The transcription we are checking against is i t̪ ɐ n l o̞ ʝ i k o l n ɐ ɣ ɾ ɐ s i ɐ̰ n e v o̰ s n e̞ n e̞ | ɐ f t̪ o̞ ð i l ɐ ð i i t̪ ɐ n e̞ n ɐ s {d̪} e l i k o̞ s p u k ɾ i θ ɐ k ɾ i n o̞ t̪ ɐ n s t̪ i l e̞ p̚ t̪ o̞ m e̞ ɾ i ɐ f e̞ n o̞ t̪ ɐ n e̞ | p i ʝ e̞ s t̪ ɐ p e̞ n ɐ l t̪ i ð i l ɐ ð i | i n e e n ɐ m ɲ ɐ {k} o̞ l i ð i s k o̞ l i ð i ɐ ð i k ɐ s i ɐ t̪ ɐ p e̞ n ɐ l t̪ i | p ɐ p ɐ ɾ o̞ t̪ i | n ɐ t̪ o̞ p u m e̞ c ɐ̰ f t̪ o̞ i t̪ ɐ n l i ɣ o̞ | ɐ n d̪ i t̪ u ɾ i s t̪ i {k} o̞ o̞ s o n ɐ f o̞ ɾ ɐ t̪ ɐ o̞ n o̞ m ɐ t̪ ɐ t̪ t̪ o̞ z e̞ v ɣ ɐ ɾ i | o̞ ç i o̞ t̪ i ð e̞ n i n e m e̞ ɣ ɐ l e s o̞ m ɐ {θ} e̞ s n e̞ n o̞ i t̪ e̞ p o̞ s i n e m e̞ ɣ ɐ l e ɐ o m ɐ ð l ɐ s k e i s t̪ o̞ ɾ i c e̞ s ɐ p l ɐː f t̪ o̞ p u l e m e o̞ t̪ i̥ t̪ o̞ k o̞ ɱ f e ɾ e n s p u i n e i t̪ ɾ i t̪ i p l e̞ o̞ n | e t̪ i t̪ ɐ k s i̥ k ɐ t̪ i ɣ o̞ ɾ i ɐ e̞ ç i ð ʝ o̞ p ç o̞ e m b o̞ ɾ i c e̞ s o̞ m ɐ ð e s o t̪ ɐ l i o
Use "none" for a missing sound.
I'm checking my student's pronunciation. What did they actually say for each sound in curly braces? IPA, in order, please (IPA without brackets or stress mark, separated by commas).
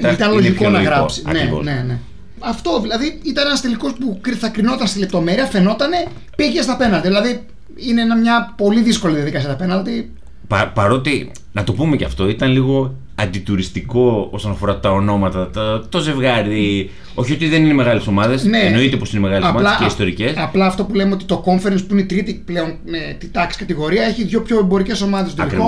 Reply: t̪, p, k, ð